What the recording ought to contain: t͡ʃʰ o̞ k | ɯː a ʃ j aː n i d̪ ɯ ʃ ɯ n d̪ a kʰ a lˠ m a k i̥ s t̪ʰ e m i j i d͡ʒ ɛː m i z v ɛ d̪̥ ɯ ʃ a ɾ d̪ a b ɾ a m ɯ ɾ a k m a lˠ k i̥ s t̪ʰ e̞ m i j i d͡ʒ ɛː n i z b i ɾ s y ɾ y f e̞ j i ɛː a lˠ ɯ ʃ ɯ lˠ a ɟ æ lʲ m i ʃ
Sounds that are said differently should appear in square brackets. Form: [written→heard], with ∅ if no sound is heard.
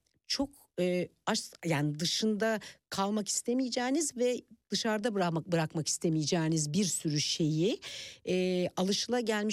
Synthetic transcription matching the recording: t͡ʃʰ o̞ k | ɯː a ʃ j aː n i d̪ ɯ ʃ ɯ n d̪ a kʰ a lˠ m a k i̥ s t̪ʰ e m i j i d͡ʒ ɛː [m→n] i z v ɛ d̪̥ ɯ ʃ a ɾ d̪ a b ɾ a [m→b] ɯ ɾ a k m a [lˠ→∅] k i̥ s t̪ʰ e̞ m i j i d͡ʒ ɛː n i z b i ɾ s y ɾ y [f→ʃ] e̞ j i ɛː a lˠ ɯ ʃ ɯ lˠ a ɟ æ lʲ m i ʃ